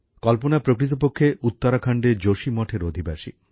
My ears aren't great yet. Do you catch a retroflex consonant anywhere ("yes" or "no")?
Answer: yes